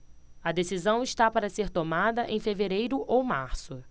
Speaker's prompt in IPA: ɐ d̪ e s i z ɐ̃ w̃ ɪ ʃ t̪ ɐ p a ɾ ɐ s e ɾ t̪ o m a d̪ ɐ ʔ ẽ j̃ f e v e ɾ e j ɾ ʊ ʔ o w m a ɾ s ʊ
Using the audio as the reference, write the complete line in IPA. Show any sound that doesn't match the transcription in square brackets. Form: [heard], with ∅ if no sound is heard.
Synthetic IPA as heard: ɐ d̪ e s i z ɐ̃ w̃ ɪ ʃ t̪ [a] p a ɾ ɐ s e ɾ t̪ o m a d̪ ɐ ʔ ẽ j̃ f e v e ɾ e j ɾ ʊ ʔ o w m a ɾ s ʊ